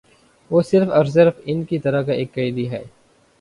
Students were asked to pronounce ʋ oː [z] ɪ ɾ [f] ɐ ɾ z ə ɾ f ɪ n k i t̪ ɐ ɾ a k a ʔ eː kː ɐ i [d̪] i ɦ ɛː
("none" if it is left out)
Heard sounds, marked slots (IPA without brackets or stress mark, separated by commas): s, f, d̪